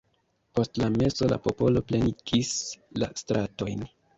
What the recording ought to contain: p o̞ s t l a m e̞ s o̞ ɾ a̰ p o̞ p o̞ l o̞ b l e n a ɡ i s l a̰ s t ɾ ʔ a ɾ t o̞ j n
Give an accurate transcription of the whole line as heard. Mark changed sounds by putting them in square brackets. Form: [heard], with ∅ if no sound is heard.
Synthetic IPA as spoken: p o̞ s t l a m e̞ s o̞ [l] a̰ p o̞ p o̞ l o̞ [p] l e n [i] ɡ i s l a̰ s t ɾ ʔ a [∅] t o̞ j n